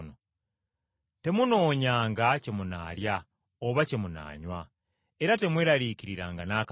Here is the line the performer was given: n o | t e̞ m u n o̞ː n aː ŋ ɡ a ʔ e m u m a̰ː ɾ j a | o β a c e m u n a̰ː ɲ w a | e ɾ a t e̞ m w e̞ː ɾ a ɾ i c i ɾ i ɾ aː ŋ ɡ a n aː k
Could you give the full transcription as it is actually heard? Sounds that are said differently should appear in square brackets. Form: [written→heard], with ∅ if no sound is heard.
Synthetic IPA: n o | t e̞ m u n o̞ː [n→ɲ] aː ŋ ɡ a [ʔ→c] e m u [m→n] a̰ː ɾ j a | o β a c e m u n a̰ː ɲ w a | e ɾ a t e̞ m w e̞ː ɾ a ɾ i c i ɾ i ɾ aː ŋ ɡ a n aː k